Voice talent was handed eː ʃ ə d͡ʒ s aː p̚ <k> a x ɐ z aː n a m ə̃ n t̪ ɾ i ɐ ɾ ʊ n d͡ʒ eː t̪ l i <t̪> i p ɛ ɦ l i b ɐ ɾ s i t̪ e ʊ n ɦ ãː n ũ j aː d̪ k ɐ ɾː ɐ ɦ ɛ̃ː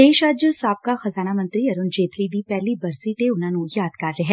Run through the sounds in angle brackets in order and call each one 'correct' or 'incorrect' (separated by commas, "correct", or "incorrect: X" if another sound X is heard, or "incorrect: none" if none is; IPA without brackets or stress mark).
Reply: correct, incorrect: d̪